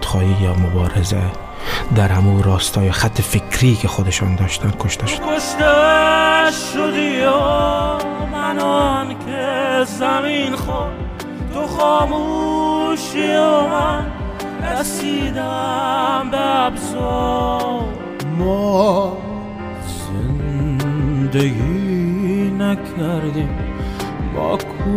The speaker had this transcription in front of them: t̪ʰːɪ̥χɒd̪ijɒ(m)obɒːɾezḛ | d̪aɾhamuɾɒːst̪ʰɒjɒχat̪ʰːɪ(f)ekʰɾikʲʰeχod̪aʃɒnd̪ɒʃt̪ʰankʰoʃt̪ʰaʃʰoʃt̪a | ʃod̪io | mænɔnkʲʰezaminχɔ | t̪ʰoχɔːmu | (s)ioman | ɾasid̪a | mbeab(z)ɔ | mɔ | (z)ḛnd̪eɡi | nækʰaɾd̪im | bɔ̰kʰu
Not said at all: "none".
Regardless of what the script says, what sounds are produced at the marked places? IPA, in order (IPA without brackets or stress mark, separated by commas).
m, f, ʃ, z, z